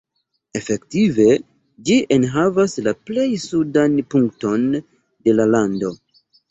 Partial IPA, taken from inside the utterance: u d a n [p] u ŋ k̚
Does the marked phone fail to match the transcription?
no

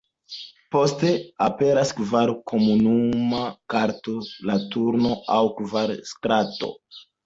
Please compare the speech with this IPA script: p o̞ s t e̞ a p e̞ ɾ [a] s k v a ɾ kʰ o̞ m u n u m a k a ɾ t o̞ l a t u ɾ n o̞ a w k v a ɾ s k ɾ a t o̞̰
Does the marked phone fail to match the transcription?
no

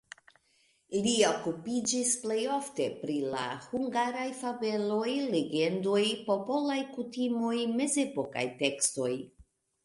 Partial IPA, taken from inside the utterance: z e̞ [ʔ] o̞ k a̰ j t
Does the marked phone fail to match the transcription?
yes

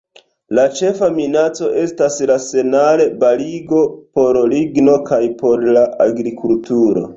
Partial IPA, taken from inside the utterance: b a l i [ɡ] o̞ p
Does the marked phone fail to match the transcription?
no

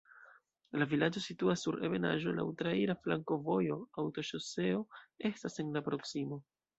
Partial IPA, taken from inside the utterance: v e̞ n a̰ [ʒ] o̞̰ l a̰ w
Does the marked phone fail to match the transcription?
no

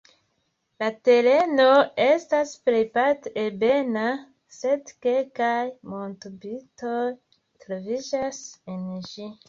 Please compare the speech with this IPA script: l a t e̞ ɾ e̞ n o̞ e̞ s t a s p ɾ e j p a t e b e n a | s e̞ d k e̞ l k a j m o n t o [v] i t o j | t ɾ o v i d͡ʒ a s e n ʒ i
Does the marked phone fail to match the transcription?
yes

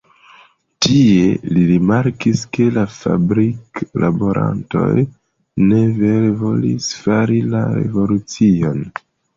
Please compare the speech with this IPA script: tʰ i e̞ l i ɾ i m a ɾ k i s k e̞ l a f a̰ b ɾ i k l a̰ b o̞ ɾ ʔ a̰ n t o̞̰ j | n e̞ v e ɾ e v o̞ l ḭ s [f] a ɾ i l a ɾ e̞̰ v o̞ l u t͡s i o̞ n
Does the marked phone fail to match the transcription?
no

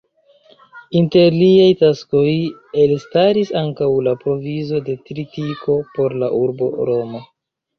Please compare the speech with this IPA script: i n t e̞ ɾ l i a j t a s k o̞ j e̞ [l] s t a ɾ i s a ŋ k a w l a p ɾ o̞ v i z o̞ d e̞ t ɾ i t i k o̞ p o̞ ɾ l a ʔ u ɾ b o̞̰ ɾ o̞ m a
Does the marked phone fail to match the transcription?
no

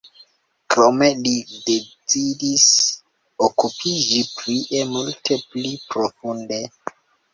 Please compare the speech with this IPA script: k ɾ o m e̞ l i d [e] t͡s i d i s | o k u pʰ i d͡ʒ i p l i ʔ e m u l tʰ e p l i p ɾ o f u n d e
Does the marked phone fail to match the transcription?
no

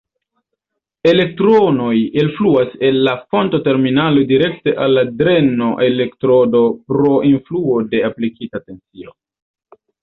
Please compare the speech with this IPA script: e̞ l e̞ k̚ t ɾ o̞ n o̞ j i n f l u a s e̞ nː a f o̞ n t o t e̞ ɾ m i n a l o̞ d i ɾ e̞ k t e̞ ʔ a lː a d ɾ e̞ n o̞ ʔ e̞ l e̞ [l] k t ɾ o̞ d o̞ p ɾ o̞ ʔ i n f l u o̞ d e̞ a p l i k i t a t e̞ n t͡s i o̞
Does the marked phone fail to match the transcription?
yes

